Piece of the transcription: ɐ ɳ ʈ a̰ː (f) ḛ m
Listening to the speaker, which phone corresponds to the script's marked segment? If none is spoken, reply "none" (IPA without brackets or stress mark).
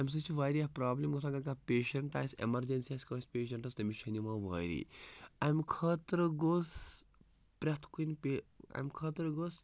s